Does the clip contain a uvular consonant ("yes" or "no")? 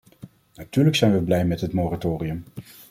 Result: no